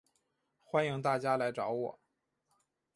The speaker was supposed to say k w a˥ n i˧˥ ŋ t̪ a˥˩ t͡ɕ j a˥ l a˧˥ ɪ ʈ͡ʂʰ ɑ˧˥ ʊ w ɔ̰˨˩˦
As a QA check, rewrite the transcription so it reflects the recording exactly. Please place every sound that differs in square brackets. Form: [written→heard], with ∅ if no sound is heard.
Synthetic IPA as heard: [k→x] w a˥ n i˧˥ ŋ t̪ a˥˩ t͡ɕ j a˥ l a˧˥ ɪ [ʈ͡ʂʰ→ʈ͡ʂ] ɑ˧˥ ʊ w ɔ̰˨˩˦